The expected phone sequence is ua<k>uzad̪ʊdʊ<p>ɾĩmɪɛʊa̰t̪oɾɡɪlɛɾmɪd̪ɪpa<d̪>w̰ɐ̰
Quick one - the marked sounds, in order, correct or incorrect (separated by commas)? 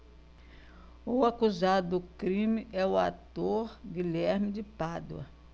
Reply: correct, incorrect, correct